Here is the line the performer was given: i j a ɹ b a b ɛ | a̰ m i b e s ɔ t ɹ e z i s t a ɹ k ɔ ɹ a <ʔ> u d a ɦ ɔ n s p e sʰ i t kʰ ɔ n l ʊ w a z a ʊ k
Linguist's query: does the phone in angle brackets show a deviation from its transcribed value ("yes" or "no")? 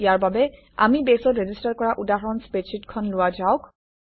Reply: no